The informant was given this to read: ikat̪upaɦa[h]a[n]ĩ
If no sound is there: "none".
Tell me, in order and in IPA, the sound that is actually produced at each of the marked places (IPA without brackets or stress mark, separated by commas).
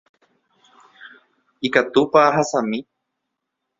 s, m